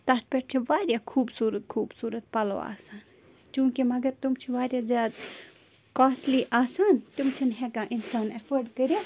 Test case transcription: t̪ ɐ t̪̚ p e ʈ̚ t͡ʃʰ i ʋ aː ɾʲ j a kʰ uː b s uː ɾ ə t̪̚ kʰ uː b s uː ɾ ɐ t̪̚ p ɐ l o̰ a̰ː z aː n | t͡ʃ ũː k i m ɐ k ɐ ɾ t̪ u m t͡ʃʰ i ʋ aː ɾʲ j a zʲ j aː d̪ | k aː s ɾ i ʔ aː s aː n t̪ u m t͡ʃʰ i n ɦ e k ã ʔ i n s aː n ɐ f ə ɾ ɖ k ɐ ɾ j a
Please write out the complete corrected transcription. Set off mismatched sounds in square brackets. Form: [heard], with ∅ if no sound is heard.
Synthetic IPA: t̪ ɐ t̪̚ p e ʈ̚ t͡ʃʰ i ʋ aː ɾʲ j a kʰ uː b s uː ɾ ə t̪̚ kʰ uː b s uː ɾ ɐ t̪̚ p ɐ l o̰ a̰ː [s] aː n | t͡ʃ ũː k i m ɐ [ɡ] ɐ ɾ t̪ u m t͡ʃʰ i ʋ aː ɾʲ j a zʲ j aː d̪ | k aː s [l] i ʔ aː s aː n t̪ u m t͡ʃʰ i n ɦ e k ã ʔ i n s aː n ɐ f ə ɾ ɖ k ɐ ɾ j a